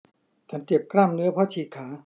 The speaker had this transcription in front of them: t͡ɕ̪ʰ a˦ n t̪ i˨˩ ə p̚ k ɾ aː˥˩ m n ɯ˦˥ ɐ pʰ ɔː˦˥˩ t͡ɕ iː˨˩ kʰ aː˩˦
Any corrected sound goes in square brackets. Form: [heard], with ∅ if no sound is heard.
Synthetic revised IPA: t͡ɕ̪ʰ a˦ n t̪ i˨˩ ə p̚ k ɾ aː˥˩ m n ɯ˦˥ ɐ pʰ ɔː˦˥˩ [t͡ɕʰ] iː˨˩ kʰ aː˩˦

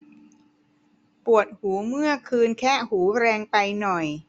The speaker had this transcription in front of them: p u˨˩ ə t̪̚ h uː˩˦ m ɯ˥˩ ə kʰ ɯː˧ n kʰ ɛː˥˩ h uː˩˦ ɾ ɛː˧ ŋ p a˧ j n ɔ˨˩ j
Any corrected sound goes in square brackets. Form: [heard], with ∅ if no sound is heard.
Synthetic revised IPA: p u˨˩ ə t̪̚ h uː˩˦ m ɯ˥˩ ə kʰ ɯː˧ n kʰ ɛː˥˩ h uː˩˦ ɾ ɛː˧ ŋ p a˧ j n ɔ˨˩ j

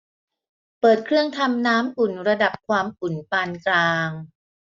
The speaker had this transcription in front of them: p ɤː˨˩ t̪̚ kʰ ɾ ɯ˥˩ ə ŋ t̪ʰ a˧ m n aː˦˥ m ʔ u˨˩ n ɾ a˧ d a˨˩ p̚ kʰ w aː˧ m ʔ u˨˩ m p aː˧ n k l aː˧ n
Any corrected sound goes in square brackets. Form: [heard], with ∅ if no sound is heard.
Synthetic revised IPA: p ɤː˨˩ t̪̚ kʰ ɾ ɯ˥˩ ə ŋ t̪ʰ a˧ m n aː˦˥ m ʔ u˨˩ n ɾ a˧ d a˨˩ p̚ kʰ w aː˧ m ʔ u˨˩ [n] p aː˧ n k l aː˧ [ŋ]

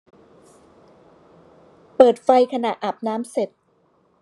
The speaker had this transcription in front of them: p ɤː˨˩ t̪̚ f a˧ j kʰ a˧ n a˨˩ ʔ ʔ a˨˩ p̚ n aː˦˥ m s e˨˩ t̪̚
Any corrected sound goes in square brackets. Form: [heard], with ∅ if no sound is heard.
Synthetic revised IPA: p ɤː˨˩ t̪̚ f a˧ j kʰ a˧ n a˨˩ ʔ ʔ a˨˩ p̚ n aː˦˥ m s e˨˩ t̪̚

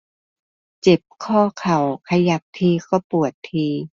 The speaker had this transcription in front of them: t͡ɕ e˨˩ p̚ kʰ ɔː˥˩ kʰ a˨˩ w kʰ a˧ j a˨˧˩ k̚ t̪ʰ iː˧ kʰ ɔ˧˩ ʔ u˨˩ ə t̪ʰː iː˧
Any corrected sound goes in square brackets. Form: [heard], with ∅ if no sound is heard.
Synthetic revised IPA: t͡ɕ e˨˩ p̚ kʰ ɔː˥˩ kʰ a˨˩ w kʰ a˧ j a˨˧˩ [p̚] t̪ʰ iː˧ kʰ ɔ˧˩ [p] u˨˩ ə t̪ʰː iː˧

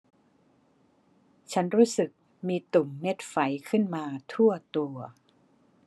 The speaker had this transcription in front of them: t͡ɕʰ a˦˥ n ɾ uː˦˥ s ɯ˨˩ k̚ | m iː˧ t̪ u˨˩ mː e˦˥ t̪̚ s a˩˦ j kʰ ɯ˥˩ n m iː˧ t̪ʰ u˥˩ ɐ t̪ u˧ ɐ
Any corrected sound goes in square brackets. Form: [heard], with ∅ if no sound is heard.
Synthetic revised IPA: t͡ɕʰ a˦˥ n ɾ uː˦˥ s ɯ˨˩ k̚ | m iː˧ t̪ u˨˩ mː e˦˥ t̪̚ [f] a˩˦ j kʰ ɯ˥˩ n m [aː˧] t̪ʰ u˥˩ ɐ t̪ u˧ ɐ

